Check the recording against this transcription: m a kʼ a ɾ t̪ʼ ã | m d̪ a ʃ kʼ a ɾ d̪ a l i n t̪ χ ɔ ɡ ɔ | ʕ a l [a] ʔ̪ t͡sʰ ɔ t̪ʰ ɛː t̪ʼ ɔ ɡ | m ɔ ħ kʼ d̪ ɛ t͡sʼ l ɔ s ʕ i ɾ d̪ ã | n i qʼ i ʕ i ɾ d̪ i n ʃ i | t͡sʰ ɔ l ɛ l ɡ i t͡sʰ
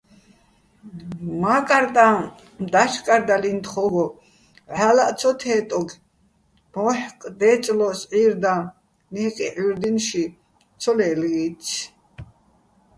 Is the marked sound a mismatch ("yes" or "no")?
no